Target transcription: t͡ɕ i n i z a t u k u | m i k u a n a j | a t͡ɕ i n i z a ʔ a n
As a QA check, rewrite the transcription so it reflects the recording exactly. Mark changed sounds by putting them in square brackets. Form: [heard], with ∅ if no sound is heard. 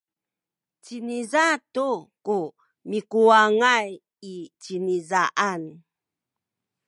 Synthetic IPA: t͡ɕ i n i z a t u k u | m i k u a [ŋ] a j | [i] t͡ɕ i n i z a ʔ a n